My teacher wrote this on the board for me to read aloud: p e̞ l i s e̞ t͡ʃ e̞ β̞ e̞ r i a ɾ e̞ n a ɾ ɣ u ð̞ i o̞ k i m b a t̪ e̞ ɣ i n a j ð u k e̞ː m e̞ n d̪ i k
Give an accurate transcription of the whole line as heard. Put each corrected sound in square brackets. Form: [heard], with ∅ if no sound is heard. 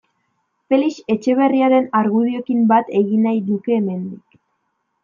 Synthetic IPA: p e̞ l i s e̞ t͡ʃ e̞ β̞ e̞ r i a ɾ e̞ n a ɾ ɣ u ð̞ i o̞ k i m b a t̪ e̞ ɣ i n a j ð u k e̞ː m e̞ n d̪ i k